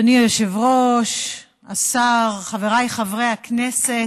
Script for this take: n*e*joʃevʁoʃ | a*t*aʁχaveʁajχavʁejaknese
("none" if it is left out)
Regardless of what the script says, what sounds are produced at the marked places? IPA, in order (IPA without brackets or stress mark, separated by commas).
i, s